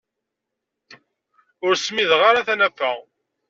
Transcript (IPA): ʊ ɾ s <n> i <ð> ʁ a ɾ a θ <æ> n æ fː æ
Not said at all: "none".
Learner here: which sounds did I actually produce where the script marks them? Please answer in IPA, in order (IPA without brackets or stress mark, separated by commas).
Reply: m, ð, æ